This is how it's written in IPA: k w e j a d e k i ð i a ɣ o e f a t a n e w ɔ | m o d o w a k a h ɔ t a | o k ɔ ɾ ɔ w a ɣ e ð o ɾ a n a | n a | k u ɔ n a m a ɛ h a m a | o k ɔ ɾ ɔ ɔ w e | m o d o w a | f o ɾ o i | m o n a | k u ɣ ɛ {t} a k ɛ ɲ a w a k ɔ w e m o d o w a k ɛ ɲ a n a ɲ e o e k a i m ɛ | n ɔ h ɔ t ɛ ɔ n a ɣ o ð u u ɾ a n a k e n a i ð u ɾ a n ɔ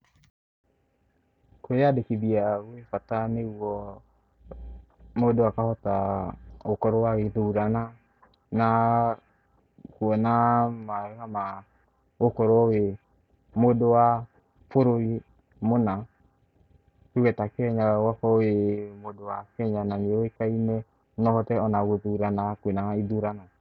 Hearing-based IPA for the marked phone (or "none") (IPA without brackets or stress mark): t